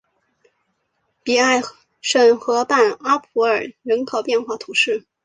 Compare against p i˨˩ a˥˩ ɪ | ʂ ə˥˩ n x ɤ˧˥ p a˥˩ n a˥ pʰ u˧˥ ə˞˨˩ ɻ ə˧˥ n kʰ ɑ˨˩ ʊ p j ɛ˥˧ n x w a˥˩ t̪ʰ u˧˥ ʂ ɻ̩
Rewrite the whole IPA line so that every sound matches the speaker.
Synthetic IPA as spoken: p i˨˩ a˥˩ ɪ | ʂ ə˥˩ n x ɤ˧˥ p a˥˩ n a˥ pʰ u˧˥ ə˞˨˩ ɻ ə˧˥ n kʰ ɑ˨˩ ʊ p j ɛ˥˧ n x w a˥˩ t̪ʰ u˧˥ ʂ ɻ̩